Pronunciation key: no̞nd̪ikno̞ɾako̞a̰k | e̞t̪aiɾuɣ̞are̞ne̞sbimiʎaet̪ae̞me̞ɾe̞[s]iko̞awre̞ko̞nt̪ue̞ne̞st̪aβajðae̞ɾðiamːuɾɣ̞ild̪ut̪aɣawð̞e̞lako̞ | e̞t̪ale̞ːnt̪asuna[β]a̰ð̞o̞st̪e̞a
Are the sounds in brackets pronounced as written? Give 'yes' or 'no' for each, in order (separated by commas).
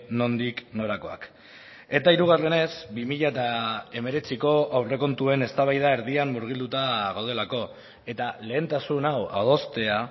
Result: no, no